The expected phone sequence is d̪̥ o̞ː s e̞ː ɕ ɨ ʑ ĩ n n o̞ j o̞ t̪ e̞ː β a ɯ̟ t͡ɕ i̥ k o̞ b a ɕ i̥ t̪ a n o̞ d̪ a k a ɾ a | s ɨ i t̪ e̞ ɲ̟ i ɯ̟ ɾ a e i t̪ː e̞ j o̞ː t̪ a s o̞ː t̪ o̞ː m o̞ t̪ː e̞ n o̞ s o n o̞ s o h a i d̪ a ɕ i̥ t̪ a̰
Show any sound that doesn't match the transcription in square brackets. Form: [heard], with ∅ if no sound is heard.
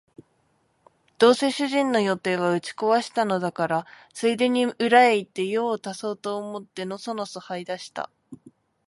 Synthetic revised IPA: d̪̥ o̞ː s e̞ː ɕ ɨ ʑ ĩ n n o̞ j o̞ t̪ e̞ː β a ɯ̟ t͡ɕ i̥ k o̞ [β] a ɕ i̥ t̪ a n o̞ d̪ a k a ɾ a | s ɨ i [d̪] e̞ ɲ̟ i ɯ̟ ɾ a e i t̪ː e̞ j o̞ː t̪ a s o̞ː t̪ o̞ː m o̞ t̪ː e̞ n o̞ s o n o̞ s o h a i d̪ a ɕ i̥ t̪ a̰

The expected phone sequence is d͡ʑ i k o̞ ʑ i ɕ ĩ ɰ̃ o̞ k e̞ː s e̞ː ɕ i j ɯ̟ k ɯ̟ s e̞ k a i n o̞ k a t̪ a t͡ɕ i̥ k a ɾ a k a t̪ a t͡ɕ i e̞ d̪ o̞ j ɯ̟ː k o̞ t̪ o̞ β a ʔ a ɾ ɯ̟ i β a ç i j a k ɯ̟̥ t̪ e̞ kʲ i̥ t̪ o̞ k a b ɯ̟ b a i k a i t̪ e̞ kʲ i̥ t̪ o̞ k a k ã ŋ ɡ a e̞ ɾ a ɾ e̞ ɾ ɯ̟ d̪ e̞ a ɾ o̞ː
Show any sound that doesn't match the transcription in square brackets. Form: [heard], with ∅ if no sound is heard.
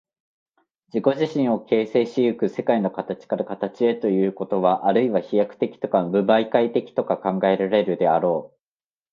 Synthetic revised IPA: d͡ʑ i k o̞ ʑ i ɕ ĩ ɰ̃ o̞ k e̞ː s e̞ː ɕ i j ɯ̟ k ɯ̟ s e̞ k a i n o̞ k a t̪ a t͡ɕ i̥ k a ɾ a k a t̪ a t͡ɕ i e̞ [t̪] o̞ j ɯ̟ː k o̞ t̪ o̞ β a ʔ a ɾ ɯ̟ i β a ç i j a k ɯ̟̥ t̪ e̞ kʲ i̥ t̪ o̞ k a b ɯ̟ b a i k a i t̪ e̞ kʲ i̥ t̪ o̞ k a k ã ŋ ɡ a e̞ ɾ a ɾ e̞ ɾ ɯ̟ d̪ e̞ a ɾ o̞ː

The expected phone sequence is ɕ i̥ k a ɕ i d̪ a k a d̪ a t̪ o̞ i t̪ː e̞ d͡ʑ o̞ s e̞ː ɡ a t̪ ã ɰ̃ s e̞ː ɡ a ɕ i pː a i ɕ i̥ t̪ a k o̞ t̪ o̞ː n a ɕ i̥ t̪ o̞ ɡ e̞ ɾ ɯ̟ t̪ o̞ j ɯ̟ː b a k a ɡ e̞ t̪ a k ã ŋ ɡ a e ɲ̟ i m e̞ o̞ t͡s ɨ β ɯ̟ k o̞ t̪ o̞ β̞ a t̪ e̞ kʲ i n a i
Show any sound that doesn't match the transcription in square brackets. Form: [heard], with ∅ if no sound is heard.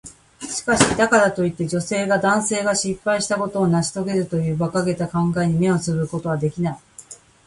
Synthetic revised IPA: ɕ i̥ k a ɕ i d̪ a k a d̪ a t̪ o̞ i t̪ː e̞ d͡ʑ o̞ s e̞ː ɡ a [d̪] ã ɰ̃ s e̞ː ɡ a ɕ i pː a i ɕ i̥ t̪ a k o̞ t̪ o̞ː n a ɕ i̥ t̪ o̞ ɡ e̞ ɾ ɯ̟ t̪ o̞ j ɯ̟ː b a k a ɡ e̞ t̪ a k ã ŋ ɡ a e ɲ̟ i m e̞ o̞ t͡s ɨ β ɯ̟ k o̞ t̪ o̞ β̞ a [d̪] e̞ kʲ i n a i

